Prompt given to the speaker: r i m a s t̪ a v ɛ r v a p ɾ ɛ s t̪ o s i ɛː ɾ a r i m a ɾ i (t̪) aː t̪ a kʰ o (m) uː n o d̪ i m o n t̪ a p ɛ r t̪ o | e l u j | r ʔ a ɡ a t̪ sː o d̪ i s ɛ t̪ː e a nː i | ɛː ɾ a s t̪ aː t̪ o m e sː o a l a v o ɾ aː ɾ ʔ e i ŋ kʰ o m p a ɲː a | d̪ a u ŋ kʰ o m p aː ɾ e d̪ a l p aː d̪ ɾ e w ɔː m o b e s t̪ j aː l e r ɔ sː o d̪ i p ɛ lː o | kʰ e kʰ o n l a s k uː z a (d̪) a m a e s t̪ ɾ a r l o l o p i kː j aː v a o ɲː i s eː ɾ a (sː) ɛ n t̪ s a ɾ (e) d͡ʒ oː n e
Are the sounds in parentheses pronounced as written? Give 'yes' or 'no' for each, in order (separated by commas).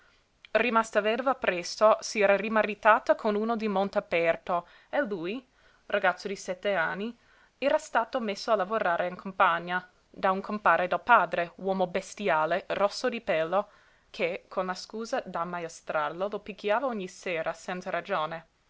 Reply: yes, no, yes, no, no